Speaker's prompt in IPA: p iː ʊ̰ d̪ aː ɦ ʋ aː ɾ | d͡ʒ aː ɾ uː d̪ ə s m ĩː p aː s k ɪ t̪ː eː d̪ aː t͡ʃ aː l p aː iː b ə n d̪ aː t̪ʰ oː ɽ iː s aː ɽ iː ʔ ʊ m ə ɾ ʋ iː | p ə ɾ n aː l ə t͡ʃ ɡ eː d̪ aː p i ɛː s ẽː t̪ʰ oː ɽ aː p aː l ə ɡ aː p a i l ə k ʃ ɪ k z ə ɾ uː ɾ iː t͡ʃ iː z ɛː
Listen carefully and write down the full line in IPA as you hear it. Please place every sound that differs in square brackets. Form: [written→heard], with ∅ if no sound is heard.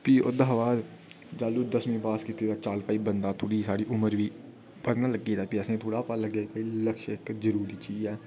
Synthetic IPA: p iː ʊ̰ d̪ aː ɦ ʋ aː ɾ | d͡ʒ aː [ɾ→l] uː d̪ ə s m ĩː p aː s k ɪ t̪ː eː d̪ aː t͡ʃ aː l p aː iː b ə n d̪ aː t̪ʰ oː ɽ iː s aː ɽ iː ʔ ʊ m ə ɾ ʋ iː | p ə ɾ n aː l ə [t͡ʃ→∅] ɡ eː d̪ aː p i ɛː s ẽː t̪ʰ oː ɽ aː p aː l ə ɡ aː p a i l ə k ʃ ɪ k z ə ɾ uː ɾ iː t͡ʃ iː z ɛː

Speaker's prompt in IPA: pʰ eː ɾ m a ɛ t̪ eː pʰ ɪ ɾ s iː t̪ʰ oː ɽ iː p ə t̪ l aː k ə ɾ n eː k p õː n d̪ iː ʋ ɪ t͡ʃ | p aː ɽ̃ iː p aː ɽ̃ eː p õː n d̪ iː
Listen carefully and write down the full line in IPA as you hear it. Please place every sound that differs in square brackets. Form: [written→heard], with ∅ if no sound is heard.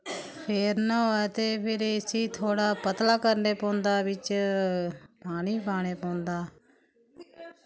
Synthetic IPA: pʰ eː ɾ [m→n] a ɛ t̪ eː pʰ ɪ ɾ s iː t̪ʰ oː ɽ [iː→aː] p ə t̪ l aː k ə ɾ n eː [k→∅] p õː n d̪ [iː→aː] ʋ ɪ t͡ʃ | p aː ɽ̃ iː p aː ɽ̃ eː p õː n d̪ [iː→aː]

